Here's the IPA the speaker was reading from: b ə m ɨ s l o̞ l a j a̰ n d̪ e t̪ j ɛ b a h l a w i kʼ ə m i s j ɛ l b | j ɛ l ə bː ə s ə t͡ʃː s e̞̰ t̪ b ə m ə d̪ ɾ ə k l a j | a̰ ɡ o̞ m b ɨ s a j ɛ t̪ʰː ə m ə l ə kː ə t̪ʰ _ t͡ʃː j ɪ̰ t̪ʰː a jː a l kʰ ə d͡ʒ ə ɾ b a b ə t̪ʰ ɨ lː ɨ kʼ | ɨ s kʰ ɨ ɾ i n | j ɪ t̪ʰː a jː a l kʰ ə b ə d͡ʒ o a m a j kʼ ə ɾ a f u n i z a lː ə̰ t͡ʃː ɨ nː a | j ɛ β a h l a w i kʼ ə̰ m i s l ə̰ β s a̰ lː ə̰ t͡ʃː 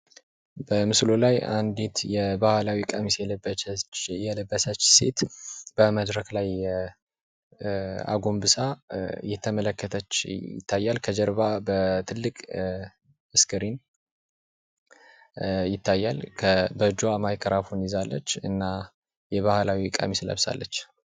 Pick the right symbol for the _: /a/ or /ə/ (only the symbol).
ə